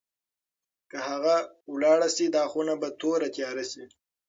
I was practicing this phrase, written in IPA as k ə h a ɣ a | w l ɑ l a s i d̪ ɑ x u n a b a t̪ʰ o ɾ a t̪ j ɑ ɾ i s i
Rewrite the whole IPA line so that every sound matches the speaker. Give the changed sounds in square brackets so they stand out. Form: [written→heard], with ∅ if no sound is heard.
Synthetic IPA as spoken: k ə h a ɣ a | w l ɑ [l→ɽ] a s i d̪ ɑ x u n a b a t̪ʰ o ɾ a t̪ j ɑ ɾ [i→a] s i